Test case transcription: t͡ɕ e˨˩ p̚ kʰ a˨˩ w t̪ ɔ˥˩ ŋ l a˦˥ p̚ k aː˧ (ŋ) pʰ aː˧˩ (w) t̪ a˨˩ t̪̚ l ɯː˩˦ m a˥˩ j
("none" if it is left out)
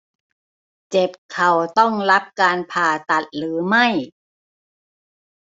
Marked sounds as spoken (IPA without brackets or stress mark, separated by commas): n, none